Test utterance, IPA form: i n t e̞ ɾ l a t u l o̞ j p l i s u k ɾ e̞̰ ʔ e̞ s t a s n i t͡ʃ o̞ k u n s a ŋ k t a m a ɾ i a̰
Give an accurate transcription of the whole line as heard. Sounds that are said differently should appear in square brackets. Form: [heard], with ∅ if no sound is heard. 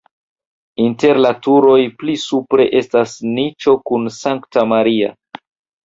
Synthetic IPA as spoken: i n t e̞ ɾ l a t u [ɾ] o̞ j p l i s u [p] ɾ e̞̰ ʔ e̞ s t a s n i t͡ʃ o̞ k u n s a ŋ k t a m a ɾ i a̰